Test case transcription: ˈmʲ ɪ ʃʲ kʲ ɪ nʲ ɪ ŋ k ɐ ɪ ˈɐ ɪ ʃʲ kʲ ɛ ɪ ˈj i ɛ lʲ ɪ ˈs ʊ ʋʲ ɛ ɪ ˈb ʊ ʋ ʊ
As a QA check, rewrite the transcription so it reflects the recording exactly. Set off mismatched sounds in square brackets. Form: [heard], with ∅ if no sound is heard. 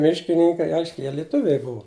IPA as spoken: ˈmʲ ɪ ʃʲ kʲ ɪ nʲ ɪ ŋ k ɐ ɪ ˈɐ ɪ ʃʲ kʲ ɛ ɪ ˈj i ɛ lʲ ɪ [ˈt] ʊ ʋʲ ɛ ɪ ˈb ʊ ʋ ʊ